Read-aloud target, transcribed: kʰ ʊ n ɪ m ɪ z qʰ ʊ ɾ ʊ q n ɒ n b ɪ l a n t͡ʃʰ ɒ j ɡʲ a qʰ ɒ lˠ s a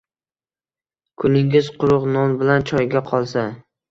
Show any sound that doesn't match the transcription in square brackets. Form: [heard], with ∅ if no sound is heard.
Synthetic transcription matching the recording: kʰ ʊ n ɪ [ŋ] ɪ z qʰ ʊ ɾ ʊ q n ɒ n b ɪ l a n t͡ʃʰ ɒ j ɡʲ a qʰ ɒ lˠ s a